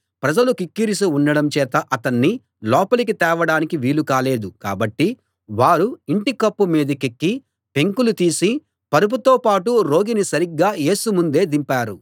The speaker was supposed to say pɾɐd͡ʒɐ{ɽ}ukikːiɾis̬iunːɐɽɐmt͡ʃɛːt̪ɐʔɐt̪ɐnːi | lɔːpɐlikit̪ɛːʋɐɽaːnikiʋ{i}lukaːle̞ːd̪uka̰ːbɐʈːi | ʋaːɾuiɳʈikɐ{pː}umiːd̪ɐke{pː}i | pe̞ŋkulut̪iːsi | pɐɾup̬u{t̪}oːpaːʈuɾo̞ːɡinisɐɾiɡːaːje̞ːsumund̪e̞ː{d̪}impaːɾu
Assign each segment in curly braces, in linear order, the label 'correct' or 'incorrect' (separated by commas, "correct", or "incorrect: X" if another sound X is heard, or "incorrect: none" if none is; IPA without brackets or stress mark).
incorrect: l, incorrect: iː, correct, incorrect: kː, correct, correct